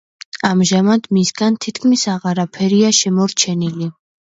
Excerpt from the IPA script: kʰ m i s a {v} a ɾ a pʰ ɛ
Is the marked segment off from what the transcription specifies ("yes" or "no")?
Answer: yes